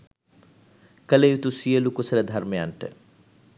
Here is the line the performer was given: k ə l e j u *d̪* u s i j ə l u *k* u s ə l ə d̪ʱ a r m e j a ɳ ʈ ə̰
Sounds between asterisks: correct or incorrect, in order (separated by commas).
incorrect, correct